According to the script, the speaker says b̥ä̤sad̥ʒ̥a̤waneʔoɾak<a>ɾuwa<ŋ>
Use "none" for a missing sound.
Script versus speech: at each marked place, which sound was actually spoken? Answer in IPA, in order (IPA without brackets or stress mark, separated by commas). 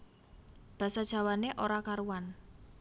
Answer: a, n